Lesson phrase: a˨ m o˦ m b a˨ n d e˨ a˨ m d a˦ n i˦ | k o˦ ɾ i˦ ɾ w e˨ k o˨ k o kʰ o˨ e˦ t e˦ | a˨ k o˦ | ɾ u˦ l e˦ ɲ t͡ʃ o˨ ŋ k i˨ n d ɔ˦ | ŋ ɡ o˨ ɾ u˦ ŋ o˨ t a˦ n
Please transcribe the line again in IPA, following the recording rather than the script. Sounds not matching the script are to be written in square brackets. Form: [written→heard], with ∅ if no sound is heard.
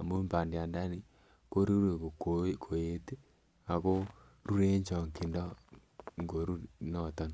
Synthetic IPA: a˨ m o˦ m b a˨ n d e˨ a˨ [m→n] d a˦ n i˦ | k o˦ ɾ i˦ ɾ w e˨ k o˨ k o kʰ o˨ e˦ t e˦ | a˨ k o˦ | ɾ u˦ [l→ɾ] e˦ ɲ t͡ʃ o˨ ŋ k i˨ n d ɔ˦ | ŋ ɡ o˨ ɾ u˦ [ŋ→n] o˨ t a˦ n